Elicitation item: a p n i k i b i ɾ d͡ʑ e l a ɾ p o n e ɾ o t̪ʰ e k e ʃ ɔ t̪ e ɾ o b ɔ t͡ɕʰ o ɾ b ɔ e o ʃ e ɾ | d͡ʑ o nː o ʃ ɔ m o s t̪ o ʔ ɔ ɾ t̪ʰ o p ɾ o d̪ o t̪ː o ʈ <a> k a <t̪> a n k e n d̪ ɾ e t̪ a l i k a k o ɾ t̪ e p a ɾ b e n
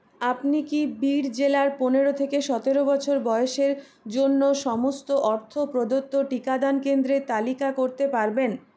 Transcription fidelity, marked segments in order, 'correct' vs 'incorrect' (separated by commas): incorrect, incorrect